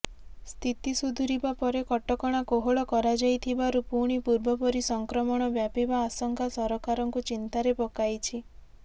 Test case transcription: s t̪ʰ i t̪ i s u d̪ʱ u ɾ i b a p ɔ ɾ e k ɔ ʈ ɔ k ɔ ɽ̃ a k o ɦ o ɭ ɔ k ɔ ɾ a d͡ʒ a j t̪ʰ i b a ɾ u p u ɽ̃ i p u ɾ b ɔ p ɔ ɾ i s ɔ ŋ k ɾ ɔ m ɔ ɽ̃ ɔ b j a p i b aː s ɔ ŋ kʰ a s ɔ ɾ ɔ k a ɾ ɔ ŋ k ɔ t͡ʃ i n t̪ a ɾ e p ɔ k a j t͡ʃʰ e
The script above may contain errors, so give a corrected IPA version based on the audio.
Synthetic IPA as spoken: s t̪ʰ i t̪ i s u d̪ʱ u ɾ i b a p ɔ ɾ e k ɔ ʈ ɔ k ɔ ɽ̃ a k o ɦ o ɭ ɔ k ɔ ɾ a d͡ʒ a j t̪ʰ i b a ɾ u p u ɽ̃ i p u ɾ b ɔ p ɔ ɾ i s ɔ ŋ k ɾ ɔ m ɔ ɽ̃ ɔ b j a p i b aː s ɔ ŋ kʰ a s ɔ ɾ ɔ k a ɾ ɔ ŋ k u t͡ʃ i n t̪ a ɾ e p ɔ k a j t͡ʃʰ i